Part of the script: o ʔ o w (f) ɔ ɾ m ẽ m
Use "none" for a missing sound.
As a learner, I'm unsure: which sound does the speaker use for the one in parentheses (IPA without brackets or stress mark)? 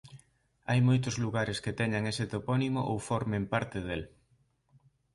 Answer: f